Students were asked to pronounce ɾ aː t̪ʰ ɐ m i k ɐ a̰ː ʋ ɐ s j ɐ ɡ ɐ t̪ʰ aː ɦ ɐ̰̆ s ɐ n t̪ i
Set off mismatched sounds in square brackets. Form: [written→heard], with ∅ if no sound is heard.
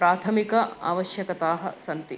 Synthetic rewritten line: ɾ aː t̪ʰ ɐ m i k ɐ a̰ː ʋ ɐ [s→ʃ] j ɐ [ɡ→k] ɐ [t̪ʰ→t̪] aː ɦ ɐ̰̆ s ɐ n t̪ i

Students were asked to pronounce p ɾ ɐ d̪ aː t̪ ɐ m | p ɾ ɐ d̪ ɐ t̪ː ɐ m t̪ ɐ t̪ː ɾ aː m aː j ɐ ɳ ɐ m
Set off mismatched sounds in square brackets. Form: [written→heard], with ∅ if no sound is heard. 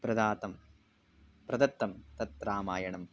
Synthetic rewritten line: p ɾ ɐ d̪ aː t̪ ɐ m | p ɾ ɐ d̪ ɐ t̪ː ɐ m t̪ ɐ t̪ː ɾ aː m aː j ɐ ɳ ɐ m

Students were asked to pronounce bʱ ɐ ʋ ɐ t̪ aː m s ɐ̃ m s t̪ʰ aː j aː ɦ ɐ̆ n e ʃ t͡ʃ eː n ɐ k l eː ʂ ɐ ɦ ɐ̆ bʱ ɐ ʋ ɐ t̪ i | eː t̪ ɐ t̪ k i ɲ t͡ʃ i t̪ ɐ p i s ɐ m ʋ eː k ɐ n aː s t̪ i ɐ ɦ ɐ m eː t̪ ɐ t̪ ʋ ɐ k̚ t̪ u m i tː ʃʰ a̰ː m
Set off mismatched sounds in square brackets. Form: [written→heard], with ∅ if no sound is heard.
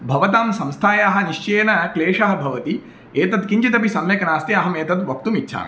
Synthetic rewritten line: bʱ ɐ ʋ ɐ t̪ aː m s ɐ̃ m s t̪ʰ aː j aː ɦ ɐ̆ n [e→i] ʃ t͡ʃ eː n ɐ k l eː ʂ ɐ ɦ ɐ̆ bʱ ɐ ʋ ɐ t̪ i | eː t̪ ɐ t̪ k i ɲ t͡ʃ i t̪ ɐ p i s ɐ m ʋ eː k ɐ n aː s t̪ i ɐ ɦ ɐ m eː t̪ ɐ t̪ ʋ ɐ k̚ t̪ u m i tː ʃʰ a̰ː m

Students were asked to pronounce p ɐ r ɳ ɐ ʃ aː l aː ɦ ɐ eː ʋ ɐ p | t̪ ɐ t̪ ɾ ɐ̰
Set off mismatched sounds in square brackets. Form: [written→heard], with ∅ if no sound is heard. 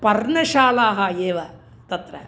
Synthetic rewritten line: p ɐ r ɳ ɐ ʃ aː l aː ɦ ɐ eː ʋ ɐ [p→∅] | t̪ ɐ t̪ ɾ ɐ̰

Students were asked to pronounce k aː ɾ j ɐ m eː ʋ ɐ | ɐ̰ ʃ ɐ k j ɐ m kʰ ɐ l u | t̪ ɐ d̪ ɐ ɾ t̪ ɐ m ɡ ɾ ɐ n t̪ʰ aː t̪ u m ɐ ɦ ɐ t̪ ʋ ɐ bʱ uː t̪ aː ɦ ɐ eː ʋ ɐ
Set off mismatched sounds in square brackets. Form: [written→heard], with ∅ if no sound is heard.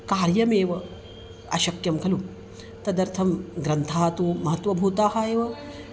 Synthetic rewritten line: k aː ɾ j ɐ m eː ʋ ɐ | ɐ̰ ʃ ɐ k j ɐ m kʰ ɐ l u | t̪ ɐ d̪ ɐ ɾ [t̪→t̪ʰ] ɐ m ɡ ɾ ɐ n t̪ʰ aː t̪ u m ɐ ɦ ɐ t̪ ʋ ɐ bʱ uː t̪ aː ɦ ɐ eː ʋ ɐ

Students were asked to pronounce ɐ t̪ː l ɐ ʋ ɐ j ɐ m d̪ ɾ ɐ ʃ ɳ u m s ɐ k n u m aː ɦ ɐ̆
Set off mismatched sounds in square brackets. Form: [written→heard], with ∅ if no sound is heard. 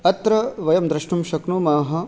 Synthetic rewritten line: ɐ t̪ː [l→ɾ] ɐ ʋ ɐ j ɐ m d̪ ɾ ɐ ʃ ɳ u m [s→ʃ] ɐ k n u m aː ɦ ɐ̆

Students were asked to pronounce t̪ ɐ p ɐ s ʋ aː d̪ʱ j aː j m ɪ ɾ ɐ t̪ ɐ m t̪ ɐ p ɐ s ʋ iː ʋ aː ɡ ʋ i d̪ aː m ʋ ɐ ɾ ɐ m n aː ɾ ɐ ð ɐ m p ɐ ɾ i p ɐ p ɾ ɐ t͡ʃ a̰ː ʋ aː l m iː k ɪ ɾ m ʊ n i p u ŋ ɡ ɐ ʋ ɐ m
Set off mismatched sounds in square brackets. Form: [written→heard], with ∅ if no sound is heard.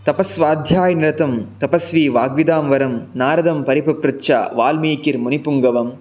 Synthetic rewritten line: t̪ ɐ p ɐ s ʋ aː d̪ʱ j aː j [m→n] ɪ ɾ ɐ t̪ ɐ m t̪ ɐ p ɐ s ʋ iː ʋ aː ɡ ʋ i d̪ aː m ʋ ɐ ɾ ɐ m n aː ɾ ɐ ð ɐ m p ɐ ɾ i p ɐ p ɾ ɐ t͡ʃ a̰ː ʋ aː l m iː k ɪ ɾ m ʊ n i p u ŋ ɡ ɐ ʋ ɐ m

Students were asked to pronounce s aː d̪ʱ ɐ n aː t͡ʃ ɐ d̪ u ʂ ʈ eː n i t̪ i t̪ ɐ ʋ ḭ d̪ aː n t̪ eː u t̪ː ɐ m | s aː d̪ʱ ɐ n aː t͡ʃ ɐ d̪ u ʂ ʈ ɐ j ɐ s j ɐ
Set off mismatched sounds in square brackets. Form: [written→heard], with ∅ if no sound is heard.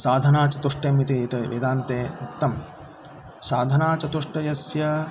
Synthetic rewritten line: s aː d̪ʱ ɐ n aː t͡ʃ ɐ [d̪→t̪] u ʂ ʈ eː [n→m] i t̪ i t̪ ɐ ʋ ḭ d̪ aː n t̪ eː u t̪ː ɐ m | s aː d̪ʱ ɐ n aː t͡ʃ ɐ [d̪→t̪] u ʂ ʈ ɐ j ɐ s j ɐ

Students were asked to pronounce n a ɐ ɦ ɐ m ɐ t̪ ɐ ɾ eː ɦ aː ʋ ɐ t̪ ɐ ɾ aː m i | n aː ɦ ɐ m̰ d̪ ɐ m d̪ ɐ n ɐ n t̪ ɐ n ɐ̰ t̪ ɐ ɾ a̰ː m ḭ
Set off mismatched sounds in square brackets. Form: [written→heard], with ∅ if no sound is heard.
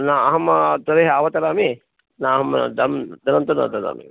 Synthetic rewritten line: n a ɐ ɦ ɐ m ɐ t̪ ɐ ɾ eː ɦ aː ʋ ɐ t̪ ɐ ɾ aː m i | n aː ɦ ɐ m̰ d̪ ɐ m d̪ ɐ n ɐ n t̪ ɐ n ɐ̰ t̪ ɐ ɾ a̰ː m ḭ

